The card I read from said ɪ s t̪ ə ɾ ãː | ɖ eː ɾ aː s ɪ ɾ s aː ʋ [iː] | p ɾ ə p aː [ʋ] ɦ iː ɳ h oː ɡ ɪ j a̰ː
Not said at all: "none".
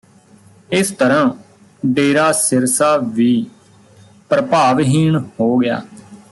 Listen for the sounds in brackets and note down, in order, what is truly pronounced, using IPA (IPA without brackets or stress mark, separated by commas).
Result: iː, ʋ